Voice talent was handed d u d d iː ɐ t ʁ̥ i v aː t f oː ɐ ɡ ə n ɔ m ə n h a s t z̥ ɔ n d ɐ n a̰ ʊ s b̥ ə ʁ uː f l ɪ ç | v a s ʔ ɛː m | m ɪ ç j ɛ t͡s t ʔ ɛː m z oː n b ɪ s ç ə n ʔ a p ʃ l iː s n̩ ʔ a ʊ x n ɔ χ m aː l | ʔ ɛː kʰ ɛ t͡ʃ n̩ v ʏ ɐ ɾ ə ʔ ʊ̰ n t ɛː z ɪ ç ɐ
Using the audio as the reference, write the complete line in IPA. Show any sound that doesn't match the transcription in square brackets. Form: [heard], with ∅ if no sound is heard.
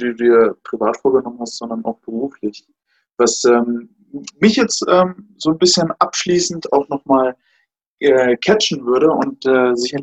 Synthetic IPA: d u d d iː ɐ [p] ʁ̥ i v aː t f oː ɐ ɡ ə n ɔ m ə n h a s t z̥ ɔ n d ɐ n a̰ ʊ [x] b̥ ə ʁ uː f l ɪ ç | v a s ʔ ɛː m | m ɪ ç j ɛ t͡s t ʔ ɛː m z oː n b ɪ s ç ə n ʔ a p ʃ l iː s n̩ [t] a ʊ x n ɔ χ m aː l | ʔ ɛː kʰ ɛ t͡ʃ n̩ v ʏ ɐ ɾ ə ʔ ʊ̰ n t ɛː z ɪ ç ɐ